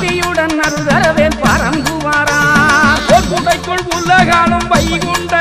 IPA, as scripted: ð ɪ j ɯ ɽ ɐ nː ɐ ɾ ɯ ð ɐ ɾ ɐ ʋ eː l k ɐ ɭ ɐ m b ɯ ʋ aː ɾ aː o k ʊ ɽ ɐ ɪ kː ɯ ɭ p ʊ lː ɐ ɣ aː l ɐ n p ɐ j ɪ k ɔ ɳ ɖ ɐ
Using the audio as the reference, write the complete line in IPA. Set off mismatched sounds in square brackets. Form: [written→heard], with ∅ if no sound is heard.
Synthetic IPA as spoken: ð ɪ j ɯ ɽ ɐ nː ɐ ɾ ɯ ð ɐ ɾ ɐ ʋ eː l [k→p] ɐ [ɭ→ɾ] ɐ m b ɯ ʋ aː ɾ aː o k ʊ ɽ ɐ ɪ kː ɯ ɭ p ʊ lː ɐ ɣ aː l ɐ [n→m] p ɐ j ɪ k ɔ ɳ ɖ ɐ